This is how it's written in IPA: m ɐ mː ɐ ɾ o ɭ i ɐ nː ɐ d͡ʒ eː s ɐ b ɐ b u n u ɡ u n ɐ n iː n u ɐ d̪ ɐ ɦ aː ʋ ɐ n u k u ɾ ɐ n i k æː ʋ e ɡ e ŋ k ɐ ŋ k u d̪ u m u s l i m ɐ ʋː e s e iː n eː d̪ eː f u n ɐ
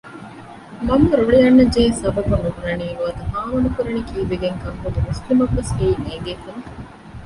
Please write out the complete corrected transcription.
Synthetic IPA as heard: m ɐ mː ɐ ɾ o ɭ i ɐ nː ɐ d͡ʒ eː s ɐ b ɐ b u n u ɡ u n ɐ n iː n u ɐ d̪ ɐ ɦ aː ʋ ɐ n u k u ɾ ɐ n i k iː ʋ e ɡ e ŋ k ɐ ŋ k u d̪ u m u s l i m ɐ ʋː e s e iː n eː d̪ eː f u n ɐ